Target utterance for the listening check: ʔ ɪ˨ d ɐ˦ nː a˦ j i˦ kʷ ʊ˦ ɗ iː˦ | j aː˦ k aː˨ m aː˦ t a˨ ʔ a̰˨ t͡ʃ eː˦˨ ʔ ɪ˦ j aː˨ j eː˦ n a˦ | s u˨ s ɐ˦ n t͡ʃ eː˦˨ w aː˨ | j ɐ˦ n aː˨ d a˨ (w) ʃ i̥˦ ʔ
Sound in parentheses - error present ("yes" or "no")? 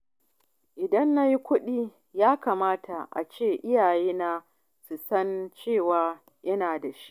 yes